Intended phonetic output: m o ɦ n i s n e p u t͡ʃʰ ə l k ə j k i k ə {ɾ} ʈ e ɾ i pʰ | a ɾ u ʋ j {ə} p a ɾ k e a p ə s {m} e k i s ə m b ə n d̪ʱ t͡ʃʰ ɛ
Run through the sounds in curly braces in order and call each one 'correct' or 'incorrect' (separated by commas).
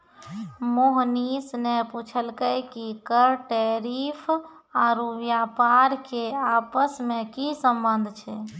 correct, incorrect, correct